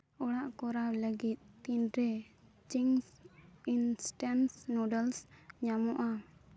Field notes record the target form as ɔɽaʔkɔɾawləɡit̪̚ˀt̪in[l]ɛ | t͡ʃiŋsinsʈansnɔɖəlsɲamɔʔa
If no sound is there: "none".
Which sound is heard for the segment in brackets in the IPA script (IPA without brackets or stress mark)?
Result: ɾ